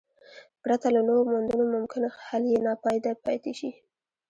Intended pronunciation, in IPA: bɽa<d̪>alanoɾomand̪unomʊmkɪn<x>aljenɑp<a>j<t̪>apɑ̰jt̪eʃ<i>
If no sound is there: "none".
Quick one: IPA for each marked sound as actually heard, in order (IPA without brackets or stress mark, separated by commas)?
t̪, h, ɑ, d̪, i